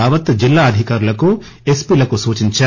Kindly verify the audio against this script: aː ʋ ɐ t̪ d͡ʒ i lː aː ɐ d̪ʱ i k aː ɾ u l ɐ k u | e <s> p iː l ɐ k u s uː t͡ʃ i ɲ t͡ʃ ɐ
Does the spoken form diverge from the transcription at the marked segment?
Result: no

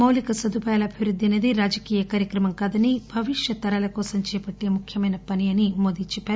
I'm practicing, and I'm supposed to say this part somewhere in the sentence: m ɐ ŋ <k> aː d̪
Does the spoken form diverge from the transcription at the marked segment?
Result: no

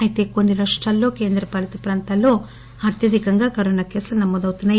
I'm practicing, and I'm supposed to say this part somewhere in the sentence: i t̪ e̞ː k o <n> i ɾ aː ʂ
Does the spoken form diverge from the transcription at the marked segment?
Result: yes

